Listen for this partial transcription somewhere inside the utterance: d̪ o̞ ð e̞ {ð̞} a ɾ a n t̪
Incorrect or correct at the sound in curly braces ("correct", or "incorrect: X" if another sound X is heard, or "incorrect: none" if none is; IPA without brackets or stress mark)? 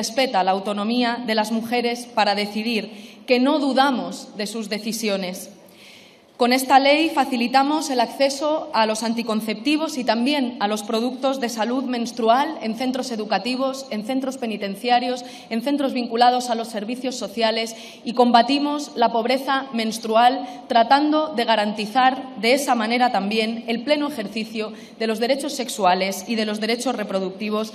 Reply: incorrect: ɣ̞